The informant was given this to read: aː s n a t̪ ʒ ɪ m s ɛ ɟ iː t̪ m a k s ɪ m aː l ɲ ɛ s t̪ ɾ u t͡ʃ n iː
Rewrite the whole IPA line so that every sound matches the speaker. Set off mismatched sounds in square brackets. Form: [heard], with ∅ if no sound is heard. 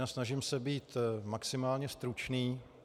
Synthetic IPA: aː s n a [∅] ʒ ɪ m s ɛ [b] iː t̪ m a k s ɪ m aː l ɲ ɛ s t̪ ɾ u t͡ʃ n iː